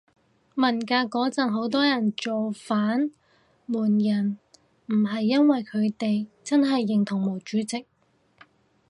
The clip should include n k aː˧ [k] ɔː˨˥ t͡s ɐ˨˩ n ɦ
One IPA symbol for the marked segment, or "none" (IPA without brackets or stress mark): k